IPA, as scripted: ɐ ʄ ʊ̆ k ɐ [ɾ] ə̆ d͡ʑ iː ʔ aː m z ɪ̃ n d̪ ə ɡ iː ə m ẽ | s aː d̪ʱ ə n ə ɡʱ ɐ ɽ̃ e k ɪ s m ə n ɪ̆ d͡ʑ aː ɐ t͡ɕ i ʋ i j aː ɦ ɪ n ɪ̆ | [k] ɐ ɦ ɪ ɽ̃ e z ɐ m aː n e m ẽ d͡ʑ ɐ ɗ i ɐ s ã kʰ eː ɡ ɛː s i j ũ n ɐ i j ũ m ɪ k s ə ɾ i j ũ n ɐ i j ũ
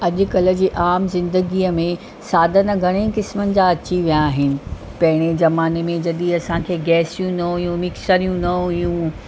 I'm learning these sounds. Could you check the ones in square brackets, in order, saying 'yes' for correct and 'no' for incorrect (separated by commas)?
no, no